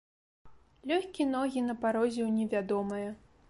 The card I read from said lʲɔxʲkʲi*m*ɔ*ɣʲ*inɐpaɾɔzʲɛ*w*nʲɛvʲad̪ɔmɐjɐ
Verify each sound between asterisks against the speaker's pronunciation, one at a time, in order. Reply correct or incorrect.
incorrect: n, correct, correct

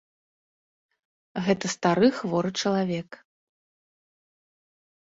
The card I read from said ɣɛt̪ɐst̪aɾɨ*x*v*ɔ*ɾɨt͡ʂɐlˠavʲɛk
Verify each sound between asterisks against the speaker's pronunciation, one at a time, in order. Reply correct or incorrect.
correct, correct

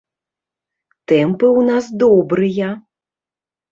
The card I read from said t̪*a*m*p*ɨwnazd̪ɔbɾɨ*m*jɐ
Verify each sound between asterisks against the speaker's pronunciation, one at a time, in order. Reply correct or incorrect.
incorrect: ɛ, correct, incorrect: none

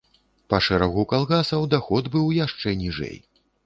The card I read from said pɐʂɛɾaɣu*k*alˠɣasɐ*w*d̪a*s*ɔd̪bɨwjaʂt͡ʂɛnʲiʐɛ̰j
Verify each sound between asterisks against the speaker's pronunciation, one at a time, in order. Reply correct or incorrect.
correct, correct, incorrect: x

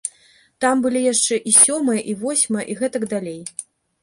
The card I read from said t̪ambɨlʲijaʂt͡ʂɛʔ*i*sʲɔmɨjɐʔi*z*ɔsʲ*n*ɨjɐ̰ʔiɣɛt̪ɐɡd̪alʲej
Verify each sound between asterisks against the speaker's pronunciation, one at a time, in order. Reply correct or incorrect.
correct, incorrect: v, incorrect: m

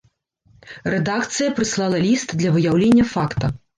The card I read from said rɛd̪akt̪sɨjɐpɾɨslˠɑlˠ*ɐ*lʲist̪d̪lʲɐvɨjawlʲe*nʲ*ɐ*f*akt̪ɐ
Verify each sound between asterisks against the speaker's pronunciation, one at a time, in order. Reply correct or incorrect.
correct, incorrect: nʲː, correct

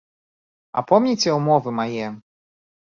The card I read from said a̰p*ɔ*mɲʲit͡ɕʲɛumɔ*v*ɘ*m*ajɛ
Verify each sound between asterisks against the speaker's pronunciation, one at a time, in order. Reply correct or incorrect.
correct, correct, correct

